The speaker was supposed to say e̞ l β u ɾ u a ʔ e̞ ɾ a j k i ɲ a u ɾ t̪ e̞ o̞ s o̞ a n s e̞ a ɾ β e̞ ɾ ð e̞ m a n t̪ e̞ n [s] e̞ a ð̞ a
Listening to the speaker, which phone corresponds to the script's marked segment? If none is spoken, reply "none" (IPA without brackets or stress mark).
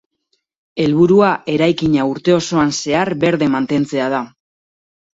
t͡s